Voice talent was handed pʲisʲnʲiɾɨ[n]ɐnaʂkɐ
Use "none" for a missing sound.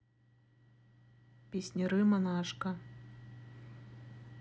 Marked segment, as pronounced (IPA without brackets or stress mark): m